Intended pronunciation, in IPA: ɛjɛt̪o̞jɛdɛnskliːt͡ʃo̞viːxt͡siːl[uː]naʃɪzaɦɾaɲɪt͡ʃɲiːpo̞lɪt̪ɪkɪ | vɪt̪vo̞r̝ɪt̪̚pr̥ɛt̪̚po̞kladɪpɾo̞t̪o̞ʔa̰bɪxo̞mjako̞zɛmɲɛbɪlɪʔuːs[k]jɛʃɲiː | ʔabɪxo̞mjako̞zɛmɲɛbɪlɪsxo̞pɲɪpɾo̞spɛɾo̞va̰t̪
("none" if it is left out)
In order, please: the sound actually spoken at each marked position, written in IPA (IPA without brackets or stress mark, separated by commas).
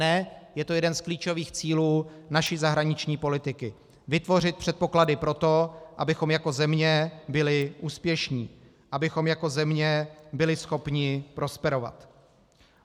uː, p